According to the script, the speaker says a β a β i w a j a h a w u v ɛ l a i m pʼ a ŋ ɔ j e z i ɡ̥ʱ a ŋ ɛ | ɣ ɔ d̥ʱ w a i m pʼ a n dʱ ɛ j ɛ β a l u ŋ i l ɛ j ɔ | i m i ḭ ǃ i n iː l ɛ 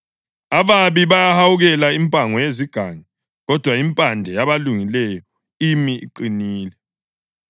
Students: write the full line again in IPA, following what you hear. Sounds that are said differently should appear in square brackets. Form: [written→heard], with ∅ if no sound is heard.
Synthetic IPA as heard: a β a β i [w→β] a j a h a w u [v→ɣ] ɛ l a i m pʼ a ŋ ɔ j e z i ɡ̥ʱ a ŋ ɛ | ɣ ɔ d̥ʱ w a i m pʼ a n dʱ ɛ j [ɛ→a] β a l u ŋ i l ɛ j ɔ | i m i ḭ ǃ i n iː l ɛ

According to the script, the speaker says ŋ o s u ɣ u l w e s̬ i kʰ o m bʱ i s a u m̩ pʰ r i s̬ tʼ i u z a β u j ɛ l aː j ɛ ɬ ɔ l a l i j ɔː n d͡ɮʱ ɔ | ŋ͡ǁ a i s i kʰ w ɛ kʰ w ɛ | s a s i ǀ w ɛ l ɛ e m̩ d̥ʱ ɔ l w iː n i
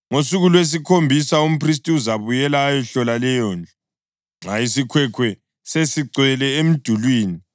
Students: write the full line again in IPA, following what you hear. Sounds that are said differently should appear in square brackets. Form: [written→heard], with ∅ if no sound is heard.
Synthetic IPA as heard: ŋ o s u ɣ u l w e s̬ i kʰ o m bʱ i s a u m̩ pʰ r i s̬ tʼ i u z a β u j ɛ l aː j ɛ ɬ ɔ l a l [i→ɛ] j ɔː n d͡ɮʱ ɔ | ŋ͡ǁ a i s i kʰ w ɛ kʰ w ɛ | s [a→e] s i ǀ w ɛ l ɛ e m̩ d̥ʱ [ɔ→u] l w iː n i

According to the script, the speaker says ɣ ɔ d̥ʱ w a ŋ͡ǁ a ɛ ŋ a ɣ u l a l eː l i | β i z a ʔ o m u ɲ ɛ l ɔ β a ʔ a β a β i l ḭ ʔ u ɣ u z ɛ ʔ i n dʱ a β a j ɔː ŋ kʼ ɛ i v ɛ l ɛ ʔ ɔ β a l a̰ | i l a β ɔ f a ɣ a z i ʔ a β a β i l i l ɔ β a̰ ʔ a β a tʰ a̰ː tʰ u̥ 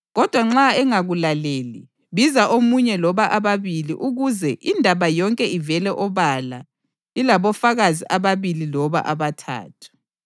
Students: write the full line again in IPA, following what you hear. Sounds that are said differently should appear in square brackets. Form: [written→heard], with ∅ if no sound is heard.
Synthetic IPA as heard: ɣ ɔ d̥ʱ w a ŋ͡ǁ a ɛ ŋ a ɣ u l a l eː l i | β i z a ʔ o m u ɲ ɛ l ɔ β a ʔ a β a β i l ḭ ʔ u ɣ u z ɛ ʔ i n dʱ a β a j [ɔː→ɔ] ŋ kʼ ɛ i v ɛ l ɛ ʔ ɔ β a l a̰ | i l a β ɔ f a ɣ a z i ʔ a β a β i l i l ɔ β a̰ ʔ a β a tʰ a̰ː tʰ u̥

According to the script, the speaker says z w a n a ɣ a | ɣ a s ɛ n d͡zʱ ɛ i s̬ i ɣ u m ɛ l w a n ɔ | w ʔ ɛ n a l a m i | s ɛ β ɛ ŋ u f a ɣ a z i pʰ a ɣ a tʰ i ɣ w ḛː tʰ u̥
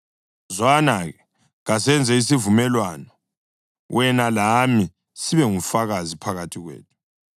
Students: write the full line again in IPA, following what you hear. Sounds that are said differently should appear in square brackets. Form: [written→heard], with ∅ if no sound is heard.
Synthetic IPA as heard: z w a n a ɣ [a→ɛ] | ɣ a s ɛ n d͡zʱ ɛ i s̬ i [ɣ→v] u m ɛ l w a n ɔ | w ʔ ɛ n a l a m i | s [ɛ→i] β ɛ ŋ u f a ɣ a z i pʰ a ɣ a tʰ i ɣ w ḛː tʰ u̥

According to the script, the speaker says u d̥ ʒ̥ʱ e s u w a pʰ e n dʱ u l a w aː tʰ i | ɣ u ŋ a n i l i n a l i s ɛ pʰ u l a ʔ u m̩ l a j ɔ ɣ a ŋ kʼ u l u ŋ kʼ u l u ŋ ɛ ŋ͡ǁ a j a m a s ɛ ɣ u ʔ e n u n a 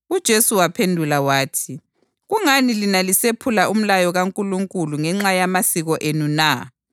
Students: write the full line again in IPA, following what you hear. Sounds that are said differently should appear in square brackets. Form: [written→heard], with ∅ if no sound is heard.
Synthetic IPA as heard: u d̥ ʒ̥ʱ e s u w a pʰ e n dʱ u l a w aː tʰ i | ɣ u ŋ a n i l i n a l i s [ɛ→e] pʰ u l a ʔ u m̩ l a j ɔ ɣ a ŋ kʼ u l u ŋ kʼ u l u ŋ ɛ ŋ͡ǁ a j a m a s [ɛ→i] ɣ [u→ɔ] ʔ e n u n a

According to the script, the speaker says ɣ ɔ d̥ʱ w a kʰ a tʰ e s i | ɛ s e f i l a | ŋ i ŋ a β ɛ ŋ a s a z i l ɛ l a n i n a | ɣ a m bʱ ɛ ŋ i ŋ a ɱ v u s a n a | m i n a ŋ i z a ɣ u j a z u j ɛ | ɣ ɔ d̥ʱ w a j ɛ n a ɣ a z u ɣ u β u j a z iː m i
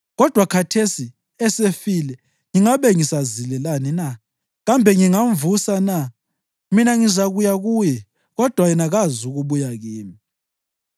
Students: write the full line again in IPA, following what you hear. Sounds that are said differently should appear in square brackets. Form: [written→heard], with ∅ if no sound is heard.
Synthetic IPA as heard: ɣ ɔ d̥ʱ w a kʰ a tʰ e s i | ɛ s e f i l [a→ɛ] | ŋ i ŋ a β ɛ ŋ [a→i] s a z i l ɛ l a n i n a | ɣ a m bʱ ɛ ŋ i ŋ a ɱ v u s a n a | m i n a ŋ i z a ɣ u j a [z→ɣ] u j ɛ | ɣ ɔ d̥ʱ w a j ɛ n a ɣ a z u ɣ u β u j a [z→ɣ] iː m i

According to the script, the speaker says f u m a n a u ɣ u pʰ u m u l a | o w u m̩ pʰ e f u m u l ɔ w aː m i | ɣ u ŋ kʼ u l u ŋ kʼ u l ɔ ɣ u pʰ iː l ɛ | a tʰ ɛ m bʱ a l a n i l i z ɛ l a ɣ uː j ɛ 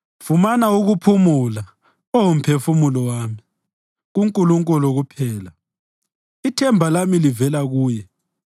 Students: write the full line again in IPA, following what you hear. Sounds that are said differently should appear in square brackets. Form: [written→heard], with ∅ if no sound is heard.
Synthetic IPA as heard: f u m a n a u ɣ u pʰ u m u l a | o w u m̩ pʰ e f u m u l ɔ w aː m i | ɣ u ŋ kʼ u l u ŋ kʼ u l ɔ ɣ u pʰ [iː→ɛː] l [ɛ→a] | [a→i] tʰ ɛ m bʱ a l a [n→m] i l i [z→v] ɛ l a ɣ uː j ɛ

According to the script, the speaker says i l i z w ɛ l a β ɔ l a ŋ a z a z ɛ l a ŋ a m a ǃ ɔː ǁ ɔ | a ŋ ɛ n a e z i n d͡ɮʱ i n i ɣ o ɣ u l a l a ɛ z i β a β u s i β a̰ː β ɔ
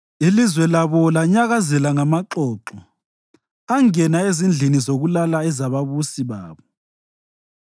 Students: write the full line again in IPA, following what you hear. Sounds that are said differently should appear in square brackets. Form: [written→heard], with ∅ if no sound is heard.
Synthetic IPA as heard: i l i z w ɛ l a β ɔ l a [ŋ→ɲ] a [z→ɣ] a z ɛ l a ŋ a m a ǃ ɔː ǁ ɔ | a ŋ ɛ n a e z i n d͡ɮʱ i n i [ɣ→z] o ɣ u l a l a ɛ z [i→a] β a β u s i β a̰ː β ɔ

